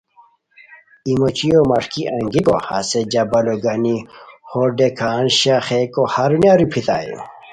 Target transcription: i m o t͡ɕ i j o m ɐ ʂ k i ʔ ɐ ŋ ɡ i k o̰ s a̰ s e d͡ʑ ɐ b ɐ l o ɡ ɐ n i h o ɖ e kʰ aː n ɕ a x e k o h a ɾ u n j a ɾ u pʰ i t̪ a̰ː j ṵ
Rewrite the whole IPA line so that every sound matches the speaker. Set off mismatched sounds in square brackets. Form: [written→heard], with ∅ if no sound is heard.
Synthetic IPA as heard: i m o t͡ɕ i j o m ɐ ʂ k i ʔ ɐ ŋ ɡ i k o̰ [s→h] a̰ s e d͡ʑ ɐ b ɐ l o ɡ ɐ n i h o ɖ e kʰ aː n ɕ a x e k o h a ɾ u n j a ɾ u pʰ i t̪ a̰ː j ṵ